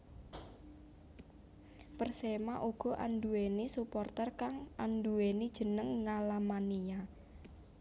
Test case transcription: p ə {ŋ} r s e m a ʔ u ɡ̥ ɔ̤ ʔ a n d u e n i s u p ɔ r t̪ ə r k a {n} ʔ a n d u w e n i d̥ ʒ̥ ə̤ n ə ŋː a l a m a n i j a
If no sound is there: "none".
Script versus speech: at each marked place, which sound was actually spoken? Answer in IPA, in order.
none, ŋ

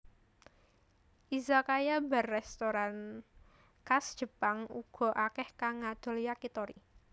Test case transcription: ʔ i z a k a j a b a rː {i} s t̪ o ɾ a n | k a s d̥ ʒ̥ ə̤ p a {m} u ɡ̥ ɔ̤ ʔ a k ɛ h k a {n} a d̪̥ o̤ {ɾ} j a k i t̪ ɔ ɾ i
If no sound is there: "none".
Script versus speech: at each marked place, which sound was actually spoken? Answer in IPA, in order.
ɛ, ŋ, ŋ, l

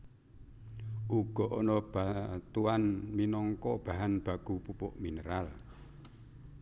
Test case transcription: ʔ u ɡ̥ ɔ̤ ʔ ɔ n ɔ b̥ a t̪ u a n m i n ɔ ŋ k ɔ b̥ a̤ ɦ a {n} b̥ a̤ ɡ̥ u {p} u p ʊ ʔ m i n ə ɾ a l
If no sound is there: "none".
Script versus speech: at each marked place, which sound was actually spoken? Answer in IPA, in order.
n, p

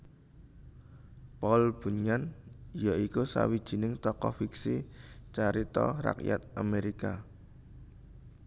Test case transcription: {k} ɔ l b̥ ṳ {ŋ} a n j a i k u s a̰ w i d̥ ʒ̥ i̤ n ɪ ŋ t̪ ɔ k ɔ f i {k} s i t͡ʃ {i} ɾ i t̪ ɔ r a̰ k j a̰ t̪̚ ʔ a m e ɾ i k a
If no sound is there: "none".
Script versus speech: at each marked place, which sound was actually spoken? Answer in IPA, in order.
p, ɲ, k, a

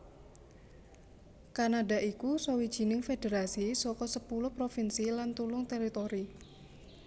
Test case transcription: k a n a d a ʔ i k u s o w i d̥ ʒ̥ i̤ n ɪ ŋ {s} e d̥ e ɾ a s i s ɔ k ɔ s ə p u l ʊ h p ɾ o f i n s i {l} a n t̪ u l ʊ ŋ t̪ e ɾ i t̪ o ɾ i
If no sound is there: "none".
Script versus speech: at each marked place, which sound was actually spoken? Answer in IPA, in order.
f, l

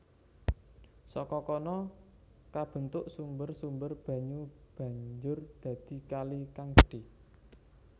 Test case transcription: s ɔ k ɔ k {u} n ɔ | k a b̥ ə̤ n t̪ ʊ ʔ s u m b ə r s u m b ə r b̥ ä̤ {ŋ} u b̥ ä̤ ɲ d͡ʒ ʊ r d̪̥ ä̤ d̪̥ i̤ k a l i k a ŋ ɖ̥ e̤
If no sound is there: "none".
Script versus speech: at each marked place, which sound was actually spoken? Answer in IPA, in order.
ɔ, ɲ

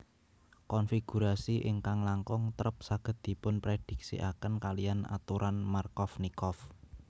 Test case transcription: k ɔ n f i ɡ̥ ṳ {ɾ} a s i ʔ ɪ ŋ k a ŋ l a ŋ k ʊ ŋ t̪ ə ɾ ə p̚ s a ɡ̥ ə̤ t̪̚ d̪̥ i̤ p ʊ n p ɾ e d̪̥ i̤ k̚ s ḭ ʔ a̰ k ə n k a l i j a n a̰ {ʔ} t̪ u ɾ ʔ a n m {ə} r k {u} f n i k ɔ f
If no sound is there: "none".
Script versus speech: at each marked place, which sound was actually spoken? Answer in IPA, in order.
ɾ, none, a, ɔ

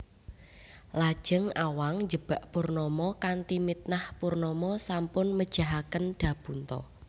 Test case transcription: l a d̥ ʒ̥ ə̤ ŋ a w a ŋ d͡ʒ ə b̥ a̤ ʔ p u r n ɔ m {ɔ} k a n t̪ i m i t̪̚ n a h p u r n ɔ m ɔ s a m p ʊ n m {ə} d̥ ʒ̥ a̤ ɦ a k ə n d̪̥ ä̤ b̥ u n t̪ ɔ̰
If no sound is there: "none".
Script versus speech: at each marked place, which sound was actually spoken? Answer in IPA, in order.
ɔ, ə

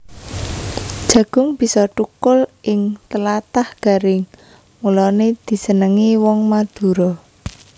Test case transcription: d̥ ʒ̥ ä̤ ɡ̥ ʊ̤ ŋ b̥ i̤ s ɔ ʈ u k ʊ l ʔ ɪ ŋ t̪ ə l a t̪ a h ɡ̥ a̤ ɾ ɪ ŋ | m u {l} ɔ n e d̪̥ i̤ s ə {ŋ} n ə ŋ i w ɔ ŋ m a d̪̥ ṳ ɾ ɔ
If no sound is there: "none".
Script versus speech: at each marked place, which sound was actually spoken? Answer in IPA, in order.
l, none

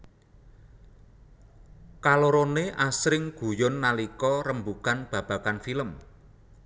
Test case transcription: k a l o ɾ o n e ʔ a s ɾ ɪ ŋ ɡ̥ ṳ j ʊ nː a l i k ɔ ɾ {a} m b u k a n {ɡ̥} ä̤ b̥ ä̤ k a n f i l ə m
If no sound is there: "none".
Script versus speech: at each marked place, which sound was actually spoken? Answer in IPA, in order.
ə, b̥

